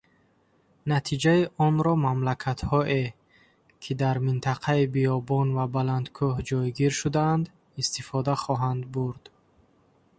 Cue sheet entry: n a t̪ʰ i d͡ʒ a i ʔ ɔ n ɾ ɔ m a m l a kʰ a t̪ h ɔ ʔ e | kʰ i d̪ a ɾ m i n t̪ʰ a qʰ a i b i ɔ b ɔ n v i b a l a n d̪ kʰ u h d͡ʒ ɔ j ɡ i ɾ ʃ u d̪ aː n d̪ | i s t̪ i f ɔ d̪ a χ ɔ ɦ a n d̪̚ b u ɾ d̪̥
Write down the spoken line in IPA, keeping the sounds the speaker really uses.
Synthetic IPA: n a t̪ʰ i d͡ʒ a i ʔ ɔ n ɾ ɔ m a m l a kʰ a t̪ h ɔ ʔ e | kʰ i d̪ a ɾ m i n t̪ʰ a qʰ a i b i ɔ b ɔ n v a b a l a n d̪ kʰ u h d͡ʒ ɔ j ɡ i ɾ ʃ u d̪ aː n d̪ | i s t̪ i f ɔ d̪ a χ ɔ ɦ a n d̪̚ b u ɾ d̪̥

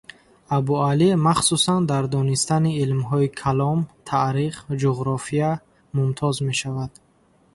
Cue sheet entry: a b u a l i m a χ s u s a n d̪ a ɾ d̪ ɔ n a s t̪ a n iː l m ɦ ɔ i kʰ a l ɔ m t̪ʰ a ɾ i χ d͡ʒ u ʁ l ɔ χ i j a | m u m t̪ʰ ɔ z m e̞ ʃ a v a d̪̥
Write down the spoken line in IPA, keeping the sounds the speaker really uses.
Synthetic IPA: a b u a l i m a χ s u s a n d̪ a ɾ d̪ ɔ n i s t̪ a n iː l m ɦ ɔ i kʰ a l ɔ m t̪ʰ a ɾ i χ d͡ʒ u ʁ ɾ ɔ f i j a | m u m t̪ʰ ɔ z m e̞ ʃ a v a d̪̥

